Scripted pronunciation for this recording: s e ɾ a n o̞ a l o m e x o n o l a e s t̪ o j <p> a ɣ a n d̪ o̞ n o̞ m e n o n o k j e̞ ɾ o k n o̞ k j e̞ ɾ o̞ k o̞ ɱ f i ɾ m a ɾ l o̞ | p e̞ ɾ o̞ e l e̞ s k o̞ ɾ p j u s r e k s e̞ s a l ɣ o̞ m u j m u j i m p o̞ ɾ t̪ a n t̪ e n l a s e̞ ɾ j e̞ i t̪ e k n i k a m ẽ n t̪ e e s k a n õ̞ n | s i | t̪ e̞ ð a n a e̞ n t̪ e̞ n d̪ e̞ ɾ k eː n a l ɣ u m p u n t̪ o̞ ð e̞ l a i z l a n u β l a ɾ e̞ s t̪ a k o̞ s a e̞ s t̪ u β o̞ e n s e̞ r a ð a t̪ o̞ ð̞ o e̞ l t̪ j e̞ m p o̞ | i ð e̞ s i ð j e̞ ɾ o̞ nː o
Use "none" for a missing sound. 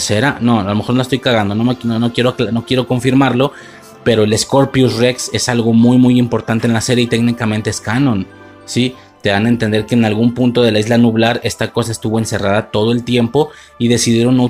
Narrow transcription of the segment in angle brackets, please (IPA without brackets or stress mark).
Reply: k